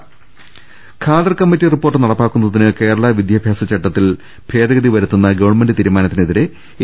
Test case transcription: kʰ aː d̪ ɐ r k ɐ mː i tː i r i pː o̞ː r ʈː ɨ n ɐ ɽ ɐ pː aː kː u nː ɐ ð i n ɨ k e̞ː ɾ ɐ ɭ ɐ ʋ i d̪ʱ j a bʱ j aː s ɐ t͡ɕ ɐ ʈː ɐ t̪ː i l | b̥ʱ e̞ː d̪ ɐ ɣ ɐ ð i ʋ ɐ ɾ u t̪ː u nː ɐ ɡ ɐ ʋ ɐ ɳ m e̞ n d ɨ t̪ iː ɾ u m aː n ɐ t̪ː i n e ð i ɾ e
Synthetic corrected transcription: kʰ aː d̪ ɐ r k ɐ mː i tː i r i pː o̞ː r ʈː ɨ n ɐ ɽ ɐ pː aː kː u nː ɐ ð i n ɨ k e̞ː ɾ ɐ ɭ ɐ ʋ i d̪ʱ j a bʱ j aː s ɐ t͡ɕ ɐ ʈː ɐ t̪ː i l | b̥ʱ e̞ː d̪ ɐ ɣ ɐ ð i ʋ ɐ ɾ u t̪ː u nː ɐ ɡ ɐ ʋ ɐ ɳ m e̞ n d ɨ t̪ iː ɾ u m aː n ɐ t̪ː i n e ð i ɾ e

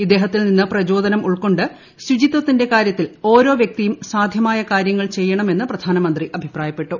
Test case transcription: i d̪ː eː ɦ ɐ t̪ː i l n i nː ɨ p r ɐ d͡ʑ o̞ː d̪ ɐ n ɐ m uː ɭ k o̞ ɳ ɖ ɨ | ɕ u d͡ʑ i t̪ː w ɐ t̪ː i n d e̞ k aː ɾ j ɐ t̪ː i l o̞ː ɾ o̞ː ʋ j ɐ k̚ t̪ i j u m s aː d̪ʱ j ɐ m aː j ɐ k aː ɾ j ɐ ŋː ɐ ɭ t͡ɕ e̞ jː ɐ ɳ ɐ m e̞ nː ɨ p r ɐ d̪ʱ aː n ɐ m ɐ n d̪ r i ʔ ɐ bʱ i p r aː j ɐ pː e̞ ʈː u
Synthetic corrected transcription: i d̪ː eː ɦ ɐ t̪ː i l n i nː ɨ p r ɐ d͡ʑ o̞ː d̪ ɐ n ɐ m u ɭ k o̞ ɳ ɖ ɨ | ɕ u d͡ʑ i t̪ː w ɐ t̪ː i n d e̞ k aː ɾ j ɐ t̪ː i l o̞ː ɾ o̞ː ʋ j ɐ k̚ t̪ i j u m s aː d̪ʱ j ɐ m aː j ɐ k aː ɾ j ɐ ŋː ɐ ɭ t͡ɕ e̞ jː ɐ ɳ ɐ m e̞ nː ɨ p r ɐ d̪ʱ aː n ɐ m ɐ n d̪ r i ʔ ɐ bʱ i p r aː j ɐ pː e̞ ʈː u

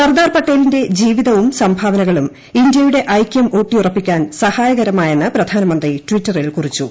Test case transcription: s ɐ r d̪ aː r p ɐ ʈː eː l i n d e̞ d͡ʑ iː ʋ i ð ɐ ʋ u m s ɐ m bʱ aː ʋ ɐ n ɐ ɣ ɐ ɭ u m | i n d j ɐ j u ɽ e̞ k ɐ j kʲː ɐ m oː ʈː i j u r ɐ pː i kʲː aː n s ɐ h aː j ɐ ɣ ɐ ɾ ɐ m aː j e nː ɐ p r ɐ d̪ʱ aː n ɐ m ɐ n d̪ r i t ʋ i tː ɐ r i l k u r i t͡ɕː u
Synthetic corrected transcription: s ɐ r d̪ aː r p ɐ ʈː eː l i n d e̞ d͡ʑ iː ʋ i ð ɐ ʋ u m s ɐ m bʱ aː ʋ ɐ n ɐ ɣ ɐ ɭ u m | i n d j ɐ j u ɽ e̞ ʔ ɐ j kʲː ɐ m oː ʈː i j u r ɐ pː i kʲː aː n s ɐ h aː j ɐ ɣ ɐ ɾ ɐ m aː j e nː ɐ p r ɐ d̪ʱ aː n ɐ m ɐ n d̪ r i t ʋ i tː ɐ r i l k u r i t͡ɕː u

